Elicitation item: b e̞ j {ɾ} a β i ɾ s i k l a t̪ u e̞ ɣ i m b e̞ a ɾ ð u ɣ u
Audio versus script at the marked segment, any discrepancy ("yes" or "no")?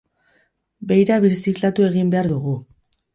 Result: no